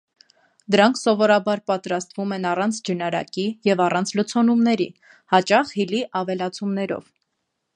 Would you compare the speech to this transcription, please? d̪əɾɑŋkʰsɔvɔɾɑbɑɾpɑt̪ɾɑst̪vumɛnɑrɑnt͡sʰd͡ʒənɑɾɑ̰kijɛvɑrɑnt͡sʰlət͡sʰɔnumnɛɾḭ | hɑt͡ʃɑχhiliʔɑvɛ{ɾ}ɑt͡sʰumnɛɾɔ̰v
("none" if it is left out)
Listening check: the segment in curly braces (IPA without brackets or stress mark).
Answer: l